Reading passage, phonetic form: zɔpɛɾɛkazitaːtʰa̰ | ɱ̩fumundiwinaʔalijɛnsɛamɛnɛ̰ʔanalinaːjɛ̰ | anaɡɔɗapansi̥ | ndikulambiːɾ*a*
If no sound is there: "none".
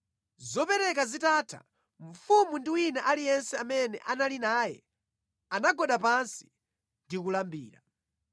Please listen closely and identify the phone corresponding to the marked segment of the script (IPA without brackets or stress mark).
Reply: a